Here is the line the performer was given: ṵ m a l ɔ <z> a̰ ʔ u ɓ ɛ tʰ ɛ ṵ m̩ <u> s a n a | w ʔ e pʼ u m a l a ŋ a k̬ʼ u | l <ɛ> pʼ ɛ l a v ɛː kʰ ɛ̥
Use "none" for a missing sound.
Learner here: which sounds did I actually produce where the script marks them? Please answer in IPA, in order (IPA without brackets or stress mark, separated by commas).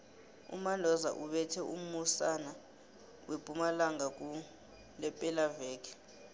z, u, ɛ